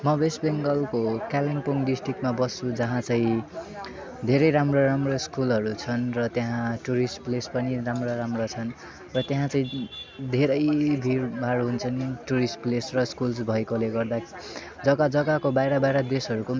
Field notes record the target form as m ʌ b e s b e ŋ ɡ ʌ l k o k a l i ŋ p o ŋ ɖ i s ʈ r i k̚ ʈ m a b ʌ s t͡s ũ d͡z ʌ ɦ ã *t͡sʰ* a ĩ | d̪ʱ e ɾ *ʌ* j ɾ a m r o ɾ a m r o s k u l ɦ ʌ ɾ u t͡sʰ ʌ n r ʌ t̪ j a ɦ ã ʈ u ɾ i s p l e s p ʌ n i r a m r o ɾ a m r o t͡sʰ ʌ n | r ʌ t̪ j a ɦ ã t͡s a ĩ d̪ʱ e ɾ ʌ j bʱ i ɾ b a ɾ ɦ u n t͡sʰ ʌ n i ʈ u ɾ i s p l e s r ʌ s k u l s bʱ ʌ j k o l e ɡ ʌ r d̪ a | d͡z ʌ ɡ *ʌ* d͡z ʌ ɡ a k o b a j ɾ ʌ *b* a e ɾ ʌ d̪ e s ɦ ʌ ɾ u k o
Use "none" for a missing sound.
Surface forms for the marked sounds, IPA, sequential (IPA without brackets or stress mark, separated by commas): t͡s, ʌ, a, b